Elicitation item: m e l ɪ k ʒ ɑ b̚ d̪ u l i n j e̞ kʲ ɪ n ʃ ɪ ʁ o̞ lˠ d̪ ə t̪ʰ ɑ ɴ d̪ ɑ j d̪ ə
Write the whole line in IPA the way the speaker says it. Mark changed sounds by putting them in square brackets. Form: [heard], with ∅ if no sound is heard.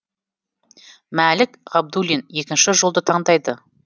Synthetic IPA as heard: m [æ] l ɪ k [ʁ] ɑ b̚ d̪ u l i n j e̞ kʲ ɪ n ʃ ɪ [ʒ] o̞ lˠ d̪ ə t̪ʰ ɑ ɴ d̪ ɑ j d̪ ə